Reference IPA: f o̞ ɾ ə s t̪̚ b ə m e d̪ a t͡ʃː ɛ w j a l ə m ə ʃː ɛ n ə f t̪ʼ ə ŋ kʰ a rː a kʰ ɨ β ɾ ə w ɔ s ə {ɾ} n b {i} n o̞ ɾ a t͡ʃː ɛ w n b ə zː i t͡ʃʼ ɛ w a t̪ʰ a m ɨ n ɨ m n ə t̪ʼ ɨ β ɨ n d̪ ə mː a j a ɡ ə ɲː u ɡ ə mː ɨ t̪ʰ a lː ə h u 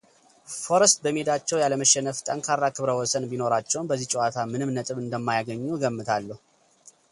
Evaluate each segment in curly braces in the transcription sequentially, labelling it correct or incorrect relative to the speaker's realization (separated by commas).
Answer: incorrect, correct